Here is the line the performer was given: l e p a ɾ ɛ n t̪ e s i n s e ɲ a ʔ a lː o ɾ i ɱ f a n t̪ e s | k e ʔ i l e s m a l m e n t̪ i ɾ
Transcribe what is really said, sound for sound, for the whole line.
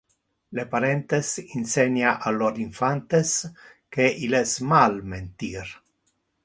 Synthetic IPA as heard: l e p a ɾ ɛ n t̪ e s i n s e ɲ a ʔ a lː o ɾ i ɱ f a n t̪ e s | k e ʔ i l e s m a l m e n t̪ i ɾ

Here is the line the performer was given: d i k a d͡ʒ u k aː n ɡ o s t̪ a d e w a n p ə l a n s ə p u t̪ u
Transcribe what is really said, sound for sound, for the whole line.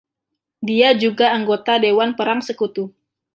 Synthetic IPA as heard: d i a d͡ʒ u ɡ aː ŋ ɡ o t̪ a d e w a n p ə ɾ a ŋ s ə k u t̪ u

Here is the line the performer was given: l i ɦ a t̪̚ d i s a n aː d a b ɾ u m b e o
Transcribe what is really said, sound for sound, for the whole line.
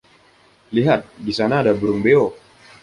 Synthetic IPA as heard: l i ɦ a t̪̚ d i s a n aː d a b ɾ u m b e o

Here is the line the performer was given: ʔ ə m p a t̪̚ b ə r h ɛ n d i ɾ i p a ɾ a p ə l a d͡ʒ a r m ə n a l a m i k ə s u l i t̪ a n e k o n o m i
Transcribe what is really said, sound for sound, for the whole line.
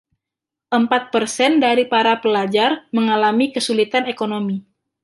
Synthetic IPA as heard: ʔ ə m p a t̪̚ p ə r s ɛ n d a ɾ i p a ɾ a p ə l a d͡ʒ a r m ə ŋ a l a m i k ə s u l i t̪ a n e k o n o m i

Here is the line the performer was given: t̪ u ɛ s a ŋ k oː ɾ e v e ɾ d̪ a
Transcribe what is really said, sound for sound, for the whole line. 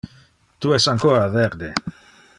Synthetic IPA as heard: t̪ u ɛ s a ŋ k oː ɾ a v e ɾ d̪ e

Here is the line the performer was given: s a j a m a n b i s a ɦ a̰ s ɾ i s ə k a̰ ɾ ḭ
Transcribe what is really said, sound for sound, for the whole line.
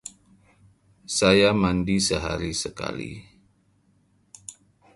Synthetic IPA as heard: s a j a m a n d i s ə ɦ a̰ ɾ i s ə k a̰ l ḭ

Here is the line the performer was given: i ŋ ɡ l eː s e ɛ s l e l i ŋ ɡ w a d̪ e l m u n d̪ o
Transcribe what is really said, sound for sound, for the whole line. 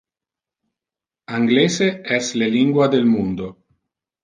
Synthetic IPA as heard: a ŋ ɡ l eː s e ɛ s l e l i ŋ ɡ w a d̪ e l m u n d̪ o

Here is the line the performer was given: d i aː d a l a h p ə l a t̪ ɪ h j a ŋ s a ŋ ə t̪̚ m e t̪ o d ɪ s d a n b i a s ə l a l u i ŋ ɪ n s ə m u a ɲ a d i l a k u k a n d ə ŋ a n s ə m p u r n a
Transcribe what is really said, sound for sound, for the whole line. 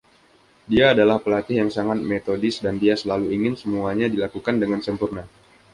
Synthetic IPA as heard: d i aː d a l a h p ə l a t̪ ɪ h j a ŋ s a ŋ a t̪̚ m e t̪ o d ɪ s d a n d i a s ə l a l u i ŋ ɪ n s ə m u a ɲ a d i l a k u k a n d ə ŋ a n s ə m p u r n a

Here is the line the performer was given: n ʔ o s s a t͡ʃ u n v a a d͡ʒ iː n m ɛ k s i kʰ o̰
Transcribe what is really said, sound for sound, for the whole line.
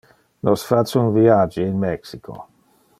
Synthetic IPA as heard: n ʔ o s f a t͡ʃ u n v i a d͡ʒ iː n m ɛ k s i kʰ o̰

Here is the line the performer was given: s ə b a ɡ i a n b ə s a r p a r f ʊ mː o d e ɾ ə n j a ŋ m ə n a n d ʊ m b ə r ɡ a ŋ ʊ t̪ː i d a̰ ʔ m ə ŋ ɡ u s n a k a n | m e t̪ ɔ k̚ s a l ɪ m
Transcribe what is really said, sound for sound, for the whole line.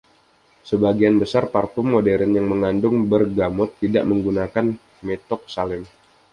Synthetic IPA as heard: s ə b a ɡ i a n b ə s a r p a r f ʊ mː o d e ɾ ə n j a ŋ m ə ŋ a n d ʊ ŋ b ə r ɡ a m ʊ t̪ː i d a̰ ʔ m ə ŋ ɡ u n a k a n | m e t̪ ɔ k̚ s a l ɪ m

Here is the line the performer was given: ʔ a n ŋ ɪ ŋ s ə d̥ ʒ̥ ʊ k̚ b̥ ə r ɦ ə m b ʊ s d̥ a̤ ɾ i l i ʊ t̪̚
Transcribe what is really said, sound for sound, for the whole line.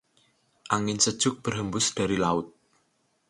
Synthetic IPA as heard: ʔ a ŋ ɪ n s ə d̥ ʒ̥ ʊ k̚ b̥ ə r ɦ ə m b ʊ s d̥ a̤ ɾ i l a ʊ t̪̚

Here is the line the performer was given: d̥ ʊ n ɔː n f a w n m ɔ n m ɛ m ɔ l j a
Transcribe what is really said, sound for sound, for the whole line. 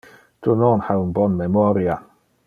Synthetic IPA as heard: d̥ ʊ n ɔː n h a w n b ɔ n m ɛ m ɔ ɾ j a

